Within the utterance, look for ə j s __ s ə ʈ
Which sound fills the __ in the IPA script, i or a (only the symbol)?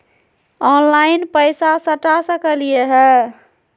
a